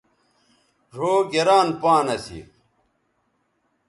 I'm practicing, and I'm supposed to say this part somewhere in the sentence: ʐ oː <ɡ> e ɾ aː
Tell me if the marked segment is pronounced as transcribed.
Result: yes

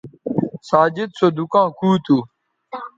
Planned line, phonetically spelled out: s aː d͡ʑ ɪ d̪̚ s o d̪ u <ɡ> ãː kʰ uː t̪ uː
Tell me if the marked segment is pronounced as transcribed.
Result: no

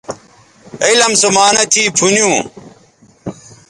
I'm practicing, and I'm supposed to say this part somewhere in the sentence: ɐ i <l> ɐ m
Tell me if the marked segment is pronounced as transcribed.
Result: yes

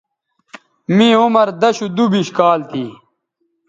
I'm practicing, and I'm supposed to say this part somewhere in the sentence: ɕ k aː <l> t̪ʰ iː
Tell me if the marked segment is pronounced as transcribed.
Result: yes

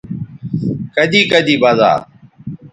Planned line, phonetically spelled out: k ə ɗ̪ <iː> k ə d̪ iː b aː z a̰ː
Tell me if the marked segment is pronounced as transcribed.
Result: yes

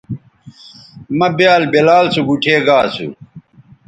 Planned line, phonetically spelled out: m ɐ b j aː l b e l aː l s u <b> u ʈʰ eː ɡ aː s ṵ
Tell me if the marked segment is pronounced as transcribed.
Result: no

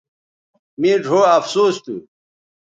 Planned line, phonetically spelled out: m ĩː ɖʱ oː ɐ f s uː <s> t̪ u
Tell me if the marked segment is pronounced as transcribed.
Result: yes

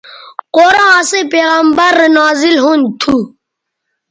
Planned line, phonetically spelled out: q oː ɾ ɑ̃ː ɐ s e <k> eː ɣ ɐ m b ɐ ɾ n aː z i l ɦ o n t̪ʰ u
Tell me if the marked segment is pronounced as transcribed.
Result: no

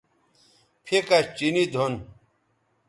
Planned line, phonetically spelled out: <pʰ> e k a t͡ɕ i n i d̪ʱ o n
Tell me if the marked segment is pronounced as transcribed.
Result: yes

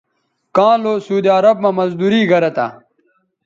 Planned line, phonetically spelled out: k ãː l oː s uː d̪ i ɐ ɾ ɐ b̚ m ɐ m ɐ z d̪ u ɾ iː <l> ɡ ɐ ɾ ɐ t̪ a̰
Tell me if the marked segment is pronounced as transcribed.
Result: no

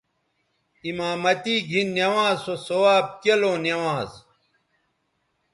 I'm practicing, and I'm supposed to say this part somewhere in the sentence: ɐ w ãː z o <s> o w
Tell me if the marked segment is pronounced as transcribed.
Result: yes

